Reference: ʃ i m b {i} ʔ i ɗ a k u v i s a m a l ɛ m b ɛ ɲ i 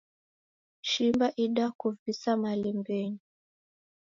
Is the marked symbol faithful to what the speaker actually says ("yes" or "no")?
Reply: no